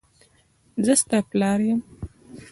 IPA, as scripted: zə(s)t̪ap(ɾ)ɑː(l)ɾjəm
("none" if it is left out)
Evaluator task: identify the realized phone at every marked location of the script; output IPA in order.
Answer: s, l, none

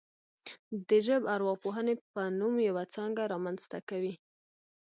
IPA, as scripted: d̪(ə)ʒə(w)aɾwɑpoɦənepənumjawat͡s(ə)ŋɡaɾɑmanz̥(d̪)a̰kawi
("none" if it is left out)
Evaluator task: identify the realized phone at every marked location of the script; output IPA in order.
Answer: ə, b, ɑ, t̪

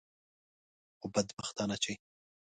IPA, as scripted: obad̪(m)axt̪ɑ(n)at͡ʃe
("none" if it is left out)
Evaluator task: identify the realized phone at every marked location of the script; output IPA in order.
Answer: b, n

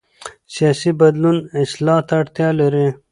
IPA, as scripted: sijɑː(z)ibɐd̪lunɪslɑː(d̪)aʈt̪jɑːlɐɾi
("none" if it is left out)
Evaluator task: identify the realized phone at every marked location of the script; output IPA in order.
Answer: s, t̪

